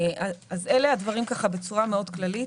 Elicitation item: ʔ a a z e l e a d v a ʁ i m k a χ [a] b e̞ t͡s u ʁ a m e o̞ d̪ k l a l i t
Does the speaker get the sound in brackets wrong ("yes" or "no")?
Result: no